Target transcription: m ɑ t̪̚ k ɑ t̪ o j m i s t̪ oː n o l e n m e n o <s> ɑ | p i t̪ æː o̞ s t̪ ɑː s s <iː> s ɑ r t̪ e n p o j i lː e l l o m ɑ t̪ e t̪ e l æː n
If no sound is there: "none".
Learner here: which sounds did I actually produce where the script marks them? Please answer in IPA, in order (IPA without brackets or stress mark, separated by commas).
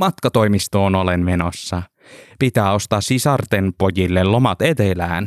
sː, i